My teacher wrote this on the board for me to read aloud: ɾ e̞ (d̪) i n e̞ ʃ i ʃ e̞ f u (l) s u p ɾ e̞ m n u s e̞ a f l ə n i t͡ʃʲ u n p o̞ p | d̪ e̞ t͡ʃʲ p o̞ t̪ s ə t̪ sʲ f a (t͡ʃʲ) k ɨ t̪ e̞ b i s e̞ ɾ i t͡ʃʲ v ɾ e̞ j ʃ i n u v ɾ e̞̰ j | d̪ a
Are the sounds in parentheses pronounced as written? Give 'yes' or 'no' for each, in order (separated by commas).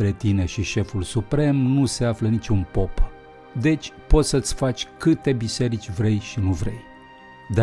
no, yes, yes